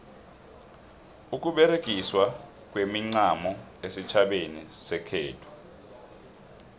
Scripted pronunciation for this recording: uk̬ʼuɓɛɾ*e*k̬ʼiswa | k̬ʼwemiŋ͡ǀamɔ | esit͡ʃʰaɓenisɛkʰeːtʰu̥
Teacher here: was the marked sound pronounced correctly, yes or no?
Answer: yes